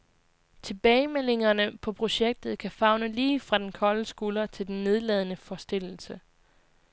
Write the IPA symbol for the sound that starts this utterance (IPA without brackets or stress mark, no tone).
t͡sʰ